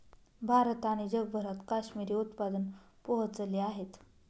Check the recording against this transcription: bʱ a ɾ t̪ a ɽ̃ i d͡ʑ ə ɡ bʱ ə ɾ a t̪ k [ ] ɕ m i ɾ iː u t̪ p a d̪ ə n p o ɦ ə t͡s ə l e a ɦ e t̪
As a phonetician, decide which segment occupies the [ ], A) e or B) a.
B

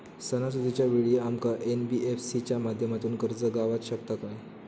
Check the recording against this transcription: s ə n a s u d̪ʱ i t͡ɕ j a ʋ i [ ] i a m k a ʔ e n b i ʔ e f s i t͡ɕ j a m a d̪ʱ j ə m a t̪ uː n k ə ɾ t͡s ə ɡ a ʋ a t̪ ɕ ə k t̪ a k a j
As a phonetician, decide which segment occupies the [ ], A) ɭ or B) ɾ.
A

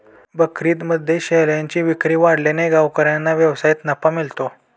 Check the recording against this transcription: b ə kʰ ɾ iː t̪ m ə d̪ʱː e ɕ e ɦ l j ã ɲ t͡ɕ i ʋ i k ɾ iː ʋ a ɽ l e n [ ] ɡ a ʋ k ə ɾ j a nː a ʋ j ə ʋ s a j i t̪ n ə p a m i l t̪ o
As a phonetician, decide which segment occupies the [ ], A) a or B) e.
B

